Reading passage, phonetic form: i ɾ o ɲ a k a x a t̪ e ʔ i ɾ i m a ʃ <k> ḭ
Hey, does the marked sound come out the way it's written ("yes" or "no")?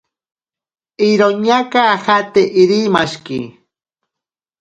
yes